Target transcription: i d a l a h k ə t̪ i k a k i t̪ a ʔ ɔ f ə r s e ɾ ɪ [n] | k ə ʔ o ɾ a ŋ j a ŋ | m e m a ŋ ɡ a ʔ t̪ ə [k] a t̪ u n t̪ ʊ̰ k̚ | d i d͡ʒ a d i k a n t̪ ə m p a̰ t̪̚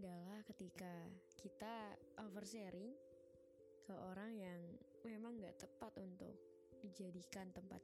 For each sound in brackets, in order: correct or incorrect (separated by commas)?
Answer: incorrect, incorrect